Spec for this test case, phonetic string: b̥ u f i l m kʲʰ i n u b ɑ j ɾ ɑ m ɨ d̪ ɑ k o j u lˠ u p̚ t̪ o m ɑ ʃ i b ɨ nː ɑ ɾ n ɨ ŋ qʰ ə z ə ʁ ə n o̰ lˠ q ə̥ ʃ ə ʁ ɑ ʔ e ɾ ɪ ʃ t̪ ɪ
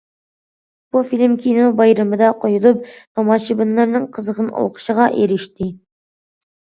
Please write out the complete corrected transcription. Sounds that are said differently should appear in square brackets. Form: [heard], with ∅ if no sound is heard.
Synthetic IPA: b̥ u f i l m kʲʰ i n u b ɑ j ɾ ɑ m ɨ d̪ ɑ [q] o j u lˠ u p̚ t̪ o m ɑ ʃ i b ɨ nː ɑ ɾ n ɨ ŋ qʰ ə z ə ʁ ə n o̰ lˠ q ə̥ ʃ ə ʁ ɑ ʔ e ɾ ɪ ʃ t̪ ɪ